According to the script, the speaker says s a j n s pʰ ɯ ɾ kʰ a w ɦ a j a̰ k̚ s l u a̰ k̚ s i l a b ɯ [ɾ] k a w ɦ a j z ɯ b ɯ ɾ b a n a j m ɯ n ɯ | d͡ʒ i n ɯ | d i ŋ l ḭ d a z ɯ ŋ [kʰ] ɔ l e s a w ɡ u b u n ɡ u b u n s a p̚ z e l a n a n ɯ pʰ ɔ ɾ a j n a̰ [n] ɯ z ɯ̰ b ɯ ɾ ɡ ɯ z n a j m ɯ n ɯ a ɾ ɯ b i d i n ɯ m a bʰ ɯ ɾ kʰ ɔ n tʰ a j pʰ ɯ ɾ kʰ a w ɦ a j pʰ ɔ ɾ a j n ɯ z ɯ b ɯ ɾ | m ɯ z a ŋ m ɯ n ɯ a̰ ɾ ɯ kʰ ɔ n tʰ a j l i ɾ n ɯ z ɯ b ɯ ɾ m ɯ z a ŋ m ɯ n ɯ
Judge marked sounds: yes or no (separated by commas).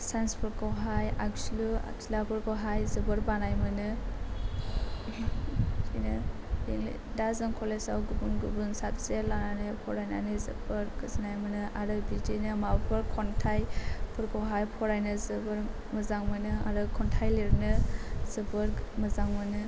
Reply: yes, yes, yes